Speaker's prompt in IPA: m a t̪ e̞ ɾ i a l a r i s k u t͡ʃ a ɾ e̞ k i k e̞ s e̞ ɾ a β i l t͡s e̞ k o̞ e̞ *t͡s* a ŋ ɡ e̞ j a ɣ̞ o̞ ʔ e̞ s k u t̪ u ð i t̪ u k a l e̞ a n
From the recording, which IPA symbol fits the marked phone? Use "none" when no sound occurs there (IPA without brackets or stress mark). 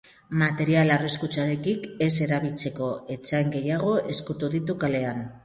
t͡s